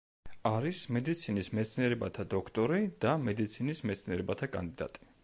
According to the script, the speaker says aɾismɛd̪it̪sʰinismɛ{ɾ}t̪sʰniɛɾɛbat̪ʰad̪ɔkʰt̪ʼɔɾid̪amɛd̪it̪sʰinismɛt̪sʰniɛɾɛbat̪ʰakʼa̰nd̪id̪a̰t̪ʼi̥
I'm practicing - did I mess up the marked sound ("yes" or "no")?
yes